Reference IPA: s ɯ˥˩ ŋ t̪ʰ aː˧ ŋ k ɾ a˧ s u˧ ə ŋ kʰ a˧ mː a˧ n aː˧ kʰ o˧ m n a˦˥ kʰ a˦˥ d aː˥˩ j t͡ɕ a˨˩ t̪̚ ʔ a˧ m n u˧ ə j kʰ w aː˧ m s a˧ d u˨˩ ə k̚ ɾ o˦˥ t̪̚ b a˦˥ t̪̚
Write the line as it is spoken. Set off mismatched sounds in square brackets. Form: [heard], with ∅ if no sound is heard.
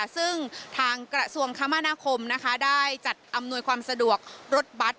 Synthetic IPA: s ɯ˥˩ ŋ t̪ʰ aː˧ ŋ k ɾ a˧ s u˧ ə ŋ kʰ [a˦˥] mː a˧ n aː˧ kʰ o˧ m n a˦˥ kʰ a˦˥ d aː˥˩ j t͡ɕ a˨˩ t̪̚ ʔ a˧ m n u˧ ə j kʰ w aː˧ m s a˧ d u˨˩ ə k̚ ɾ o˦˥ t̪̚ b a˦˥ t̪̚